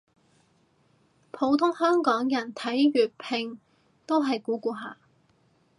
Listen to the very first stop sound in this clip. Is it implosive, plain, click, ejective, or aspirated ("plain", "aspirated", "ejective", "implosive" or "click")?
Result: aspirated